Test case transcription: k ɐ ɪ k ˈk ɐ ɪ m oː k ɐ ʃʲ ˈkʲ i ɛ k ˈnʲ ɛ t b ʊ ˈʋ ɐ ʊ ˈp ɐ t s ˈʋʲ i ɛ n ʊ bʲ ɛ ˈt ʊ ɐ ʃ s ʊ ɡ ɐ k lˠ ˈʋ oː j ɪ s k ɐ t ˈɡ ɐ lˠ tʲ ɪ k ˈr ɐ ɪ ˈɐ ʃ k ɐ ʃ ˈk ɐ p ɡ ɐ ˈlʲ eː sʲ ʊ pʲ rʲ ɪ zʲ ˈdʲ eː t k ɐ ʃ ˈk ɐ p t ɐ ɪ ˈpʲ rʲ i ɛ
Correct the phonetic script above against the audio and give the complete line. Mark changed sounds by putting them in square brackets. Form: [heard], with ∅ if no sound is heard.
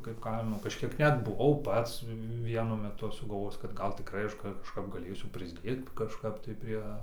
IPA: k ɐ ɪ [p] ˈk ɐ ɪ m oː k ɐ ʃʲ ˈkʲ i ɛ k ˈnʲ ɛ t b ʊ ˈʋ ɐ ʊ ˈp ɐ t s ˈʋʲ i ɛ n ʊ [mʲ] ɛ ˈt ʊ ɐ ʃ s ʊ ɡ ɐ [∅] lˠ ˈʋ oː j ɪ s k ɐ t ˈɡ ɐ lˠ tʲ ɪ k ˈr ɐ ɪ ˈɐ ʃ k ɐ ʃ ˈk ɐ p ɡ ɐ ˈlʲ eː sʲ ʊ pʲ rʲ ɪ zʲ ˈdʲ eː t k ɐ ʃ ˈk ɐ p t ɐ ɪ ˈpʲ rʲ i ɛ

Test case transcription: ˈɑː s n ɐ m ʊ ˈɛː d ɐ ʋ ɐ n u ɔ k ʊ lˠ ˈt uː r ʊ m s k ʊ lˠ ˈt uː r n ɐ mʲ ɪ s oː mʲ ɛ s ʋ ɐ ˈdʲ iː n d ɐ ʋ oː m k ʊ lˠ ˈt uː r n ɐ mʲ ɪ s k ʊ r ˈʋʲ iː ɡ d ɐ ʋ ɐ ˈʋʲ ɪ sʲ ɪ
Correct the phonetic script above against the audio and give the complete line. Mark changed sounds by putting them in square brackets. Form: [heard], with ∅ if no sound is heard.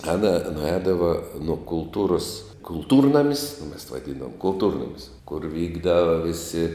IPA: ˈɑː [∅] n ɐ [n] ʊ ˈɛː d ɐ ʋ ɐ n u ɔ k ʊ lˠ ˈt uː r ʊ [∅] s k ʊ lˠ ˈt uː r n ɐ mʲ ɪ s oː mʲ ɛ s ʋ ɐ ˈdʲ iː n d ɐ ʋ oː m k ʊ lˠ ˈt uː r n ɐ mʲ ɪ s k ʊ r ˈʋʲ iː ɡ d ɐ ʋ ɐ ˈʋʲ ɪ sʲ ɪ

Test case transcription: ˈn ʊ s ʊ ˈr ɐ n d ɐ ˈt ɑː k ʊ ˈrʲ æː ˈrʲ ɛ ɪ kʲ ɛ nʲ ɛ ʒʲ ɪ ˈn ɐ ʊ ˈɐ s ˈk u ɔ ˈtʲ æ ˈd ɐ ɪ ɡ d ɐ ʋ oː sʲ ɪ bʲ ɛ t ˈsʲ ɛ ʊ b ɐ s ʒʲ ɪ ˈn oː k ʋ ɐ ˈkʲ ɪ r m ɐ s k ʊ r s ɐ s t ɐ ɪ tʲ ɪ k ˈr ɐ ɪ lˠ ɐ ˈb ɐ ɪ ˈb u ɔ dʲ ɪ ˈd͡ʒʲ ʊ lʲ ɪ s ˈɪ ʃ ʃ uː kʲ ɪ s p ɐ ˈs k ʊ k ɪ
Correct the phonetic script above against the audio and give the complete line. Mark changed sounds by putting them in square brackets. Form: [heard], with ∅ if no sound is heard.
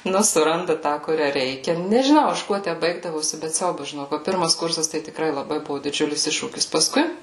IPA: ˈn ʊ s ʊ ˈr ɐ n d ɐ ˈt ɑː k ʊ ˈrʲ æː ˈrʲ ɛ ɪ kʲ ɛ nʲ ɛ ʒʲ ɪ ˈn ɐ ʊ ˈɐ [ʃ] ˈk u ɔ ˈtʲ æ [ˈb] ɐ ɪ ɡ d ɐ ʋ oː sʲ ɪ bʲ ɛ t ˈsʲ ɛ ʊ b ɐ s ʒʲ ɪ ˈn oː k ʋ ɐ [ˈpʲ] ɪ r m ɐ s k ʊ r s ɐ s t ɐ ɪ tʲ ɪ k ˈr ɐ ɪ lˠ ɐ ˈb ɐ ɪ ˈb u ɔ dʲ ɪ ˈd͡ʒʲ ʊ lʲ ɪ s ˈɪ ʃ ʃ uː kʲ ɪ s p ɐ ˈs k ʊ [∅] ɪ

